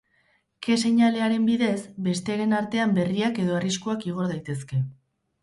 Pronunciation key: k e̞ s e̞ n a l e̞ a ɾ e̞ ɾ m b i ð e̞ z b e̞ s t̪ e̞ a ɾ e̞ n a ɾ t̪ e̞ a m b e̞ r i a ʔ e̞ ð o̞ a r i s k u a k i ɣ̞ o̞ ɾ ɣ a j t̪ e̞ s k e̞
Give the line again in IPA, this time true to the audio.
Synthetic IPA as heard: k e̞ s e̞ ɲ a l e̞ a ɾ e̞ m b i ð e̞ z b e̞ s t̪ e̞ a ɾ e̞ n a ɾ t̪ e̞ a m b e̞ r i a k e̞ ð o̞ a r i s k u a k i ɣ̞ o̞ ɾ ð a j t̪ e̞ s k e̞